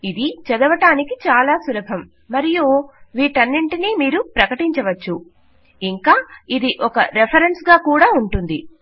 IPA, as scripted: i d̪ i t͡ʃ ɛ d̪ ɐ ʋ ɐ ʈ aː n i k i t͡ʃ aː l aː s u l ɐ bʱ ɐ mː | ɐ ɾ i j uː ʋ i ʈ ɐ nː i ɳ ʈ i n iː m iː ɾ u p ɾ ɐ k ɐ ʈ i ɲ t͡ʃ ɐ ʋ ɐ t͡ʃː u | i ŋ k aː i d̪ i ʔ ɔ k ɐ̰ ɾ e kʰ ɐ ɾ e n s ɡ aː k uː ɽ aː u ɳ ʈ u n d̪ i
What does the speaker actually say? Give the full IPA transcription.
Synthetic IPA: i d̪ i t͡ʃ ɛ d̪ ɐ ʋ ɐ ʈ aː n i k i t͡ʃ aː l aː s u l ɐ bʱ ɐ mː | ɐ ɾ i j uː ʋ iː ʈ ɐ nː i ɳ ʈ i n iː m iː ɾ u p ɾ ɐ k ɐ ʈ i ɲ t͡ʃ ɐ ʋ ɐ t͡ʃː u | i ŋ k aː i d̪ i ʔ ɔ k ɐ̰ ɾ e pʰ ɐ ɾ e n s ɡ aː k uː ɽ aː u ɳ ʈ u n d̪ i